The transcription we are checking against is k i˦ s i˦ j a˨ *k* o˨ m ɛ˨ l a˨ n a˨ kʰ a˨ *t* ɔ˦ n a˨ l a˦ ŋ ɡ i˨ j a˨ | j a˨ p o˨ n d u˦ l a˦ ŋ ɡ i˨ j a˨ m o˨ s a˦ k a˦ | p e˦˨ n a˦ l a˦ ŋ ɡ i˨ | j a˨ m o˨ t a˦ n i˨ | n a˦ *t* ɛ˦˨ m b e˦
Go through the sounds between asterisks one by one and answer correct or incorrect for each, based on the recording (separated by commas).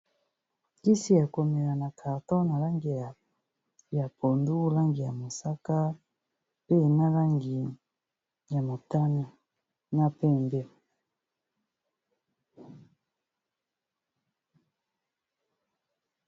correct, correct, incorrect